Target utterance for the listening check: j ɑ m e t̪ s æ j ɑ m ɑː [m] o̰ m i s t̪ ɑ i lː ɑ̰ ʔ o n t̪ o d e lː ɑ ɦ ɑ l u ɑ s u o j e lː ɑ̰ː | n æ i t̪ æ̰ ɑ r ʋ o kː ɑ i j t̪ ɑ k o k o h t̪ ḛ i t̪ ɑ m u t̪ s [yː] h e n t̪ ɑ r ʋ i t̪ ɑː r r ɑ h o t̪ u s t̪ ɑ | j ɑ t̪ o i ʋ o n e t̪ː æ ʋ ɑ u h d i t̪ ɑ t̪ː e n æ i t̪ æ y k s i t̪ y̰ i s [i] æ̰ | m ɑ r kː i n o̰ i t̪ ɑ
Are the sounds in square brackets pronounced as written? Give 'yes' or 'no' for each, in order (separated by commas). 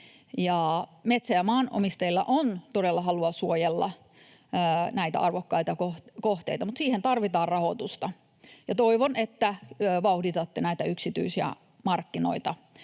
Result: no, no, yes